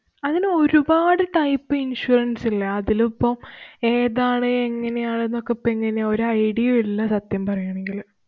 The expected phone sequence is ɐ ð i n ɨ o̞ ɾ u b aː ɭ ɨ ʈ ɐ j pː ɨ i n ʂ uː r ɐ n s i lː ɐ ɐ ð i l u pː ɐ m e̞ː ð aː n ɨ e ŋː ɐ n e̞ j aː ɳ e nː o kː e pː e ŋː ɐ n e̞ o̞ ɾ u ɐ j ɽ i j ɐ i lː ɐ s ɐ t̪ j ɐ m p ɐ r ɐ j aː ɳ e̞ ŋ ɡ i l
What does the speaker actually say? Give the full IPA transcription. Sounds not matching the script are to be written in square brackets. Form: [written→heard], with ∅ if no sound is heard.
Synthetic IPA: ɐ ð i n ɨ o̞ ɾ u b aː [ɭ→ɽ] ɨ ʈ ɐ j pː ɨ i n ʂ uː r ɐ n s i lː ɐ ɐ ð i l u pː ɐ m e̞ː ð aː [n→ɳ] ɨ e ŋː ɐ n e̞ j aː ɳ e nː o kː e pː e ŋː ɐ n e̞ o̞ ɾ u ɐ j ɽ i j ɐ i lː ɐ s ɐ t̪ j ɐ m p ɐ r ɐ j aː ɳ e̞ ŋ ɡ i l